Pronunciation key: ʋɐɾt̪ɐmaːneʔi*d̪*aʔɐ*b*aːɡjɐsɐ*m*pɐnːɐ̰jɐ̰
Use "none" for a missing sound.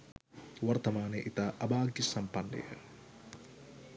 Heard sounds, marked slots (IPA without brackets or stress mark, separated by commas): t̪, b, m